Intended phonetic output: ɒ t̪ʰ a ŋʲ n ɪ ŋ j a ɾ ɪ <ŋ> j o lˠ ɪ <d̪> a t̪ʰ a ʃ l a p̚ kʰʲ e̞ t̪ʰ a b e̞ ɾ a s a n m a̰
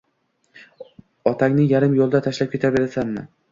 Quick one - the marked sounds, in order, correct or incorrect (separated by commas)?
incorrect, correct